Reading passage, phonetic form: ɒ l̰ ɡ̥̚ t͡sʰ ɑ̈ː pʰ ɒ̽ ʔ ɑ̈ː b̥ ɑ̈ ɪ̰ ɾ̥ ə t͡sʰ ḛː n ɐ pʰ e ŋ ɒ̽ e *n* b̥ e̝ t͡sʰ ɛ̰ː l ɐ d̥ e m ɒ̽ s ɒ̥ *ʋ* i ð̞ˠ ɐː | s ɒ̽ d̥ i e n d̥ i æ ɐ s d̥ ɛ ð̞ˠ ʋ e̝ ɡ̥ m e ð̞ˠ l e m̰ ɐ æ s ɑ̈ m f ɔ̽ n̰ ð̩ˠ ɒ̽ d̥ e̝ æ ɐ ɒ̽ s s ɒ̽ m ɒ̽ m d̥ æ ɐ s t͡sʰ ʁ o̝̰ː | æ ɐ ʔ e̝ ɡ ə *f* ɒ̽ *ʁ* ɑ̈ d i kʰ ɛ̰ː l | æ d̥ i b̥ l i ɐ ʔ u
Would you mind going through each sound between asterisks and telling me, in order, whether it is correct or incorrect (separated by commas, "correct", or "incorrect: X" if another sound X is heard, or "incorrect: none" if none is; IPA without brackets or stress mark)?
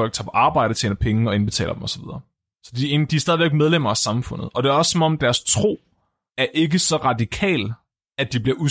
correct, correct, incorrect: s, correct